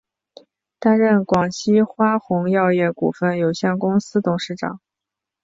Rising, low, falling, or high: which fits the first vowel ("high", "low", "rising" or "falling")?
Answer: high